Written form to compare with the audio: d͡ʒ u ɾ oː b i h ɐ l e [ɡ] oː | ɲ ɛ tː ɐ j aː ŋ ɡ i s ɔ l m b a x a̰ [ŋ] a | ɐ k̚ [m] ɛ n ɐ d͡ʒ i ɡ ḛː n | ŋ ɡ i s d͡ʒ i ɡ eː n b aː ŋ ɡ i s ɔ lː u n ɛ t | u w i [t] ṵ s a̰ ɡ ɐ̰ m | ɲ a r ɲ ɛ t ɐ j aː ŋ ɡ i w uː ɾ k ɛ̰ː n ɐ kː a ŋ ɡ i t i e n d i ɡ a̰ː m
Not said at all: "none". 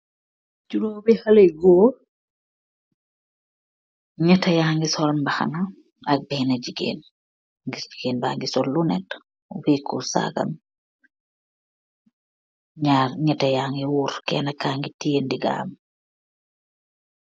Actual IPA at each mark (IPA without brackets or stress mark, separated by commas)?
ɡ, n, b, k